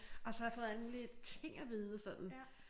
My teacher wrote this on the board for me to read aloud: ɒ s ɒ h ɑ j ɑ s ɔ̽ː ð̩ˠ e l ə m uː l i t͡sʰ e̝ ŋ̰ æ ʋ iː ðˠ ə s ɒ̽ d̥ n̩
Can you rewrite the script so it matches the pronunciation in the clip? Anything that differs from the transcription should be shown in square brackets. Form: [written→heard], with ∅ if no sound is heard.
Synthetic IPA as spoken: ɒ s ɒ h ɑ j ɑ [s→f] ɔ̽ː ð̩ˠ [e→æ] l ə m uː l i t͡sʰ e̝ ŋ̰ æ ʋ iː ðˠ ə s ɒ̽ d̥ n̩